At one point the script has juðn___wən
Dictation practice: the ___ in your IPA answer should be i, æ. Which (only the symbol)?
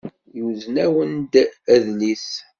æ